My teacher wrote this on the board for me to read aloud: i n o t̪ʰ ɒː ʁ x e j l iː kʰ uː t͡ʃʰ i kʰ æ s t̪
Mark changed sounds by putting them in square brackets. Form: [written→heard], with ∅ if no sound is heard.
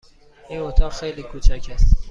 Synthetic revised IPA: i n o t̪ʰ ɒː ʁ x e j l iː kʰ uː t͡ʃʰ [i→æ] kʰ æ s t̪

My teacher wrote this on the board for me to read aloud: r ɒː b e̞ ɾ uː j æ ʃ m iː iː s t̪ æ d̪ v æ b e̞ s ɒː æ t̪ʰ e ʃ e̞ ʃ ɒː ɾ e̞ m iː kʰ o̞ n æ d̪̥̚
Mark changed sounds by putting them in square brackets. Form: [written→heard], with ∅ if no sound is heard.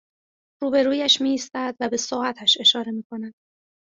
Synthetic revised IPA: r [ɒː→uː] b e̞ ɾ uː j æ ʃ m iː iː s t̪ æ d̪ v æ b e̞ s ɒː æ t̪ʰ [e→æ] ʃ e̞ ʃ ɒː ɾ e̞ m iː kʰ o̞ n æ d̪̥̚

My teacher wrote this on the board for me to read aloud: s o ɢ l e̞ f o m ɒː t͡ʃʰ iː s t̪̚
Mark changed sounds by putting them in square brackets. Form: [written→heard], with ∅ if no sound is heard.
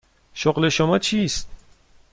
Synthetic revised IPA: [s→ʃ] o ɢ l e̞ [f→ʃ] o m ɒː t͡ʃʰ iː s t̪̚

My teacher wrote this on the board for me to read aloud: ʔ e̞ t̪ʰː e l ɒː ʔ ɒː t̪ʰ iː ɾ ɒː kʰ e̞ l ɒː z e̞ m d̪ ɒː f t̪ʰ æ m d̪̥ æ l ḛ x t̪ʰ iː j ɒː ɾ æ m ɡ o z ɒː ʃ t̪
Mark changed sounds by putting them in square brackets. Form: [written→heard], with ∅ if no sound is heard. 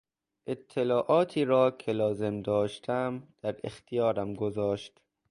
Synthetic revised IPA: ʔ e̞ t̪ʰː e l ɒː ʔ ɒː t̪ʰ iː ɾ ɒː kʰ e̞ l ɒː z e̞ m d̪ ɒː [f→ʃ] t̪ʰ æ m d̪̥ æ [l→ɾ] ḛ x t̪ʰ [iː→i] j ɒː ɾ æ m ɡ o z ɒː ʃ t̪

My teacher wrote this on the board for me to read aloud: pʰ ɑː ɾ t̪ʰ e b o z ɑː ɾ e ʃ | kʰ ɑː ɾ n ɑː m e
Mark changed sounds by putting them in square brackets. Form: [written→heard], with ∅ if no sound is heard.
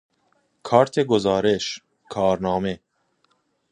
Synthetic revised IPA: [pʰ→kʰ] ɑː ɾ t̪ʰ e [b→ɡ] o z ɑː ɾ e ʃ | kʰ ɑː ɾ n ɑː m e

